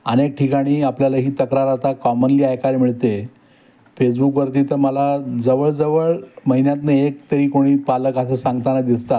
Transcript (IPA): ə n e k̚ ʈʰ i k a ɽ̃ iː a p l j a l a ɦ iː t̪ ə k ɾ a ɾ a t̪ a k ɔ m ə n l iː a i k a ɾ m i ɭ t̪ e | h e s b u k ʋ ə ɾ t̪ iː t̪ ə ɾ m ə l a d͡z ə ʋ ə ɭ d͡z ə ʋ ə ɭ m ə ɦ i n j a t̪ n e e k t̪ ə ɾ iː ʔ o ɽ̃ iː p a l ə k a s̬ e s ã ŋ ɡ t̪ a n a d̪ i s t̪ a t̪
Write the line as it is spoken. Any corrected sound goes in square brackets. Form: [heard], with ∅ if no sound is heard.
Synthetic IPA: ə n e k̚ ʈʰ i k a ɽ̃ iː a p l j a l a ɦ iː t̪ ə k ɾ a ɾ a t̪ a k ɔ m ə n l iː a [j] k a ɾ m i ɭ t̪ e | [f] e s b u k ʋ ə ɾ t̪ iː t̪ ə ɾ m ə l a d͡z ə ʋ ə ɭ d͡z ə ʋ ə ɭ m ə ɦ i n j a t̪ n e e k t̪ ə ɾ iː [k] o ɽ̃ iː p a l ə k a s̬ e s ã ŋ ɡ t̪ a n a d̪ i s t̪ a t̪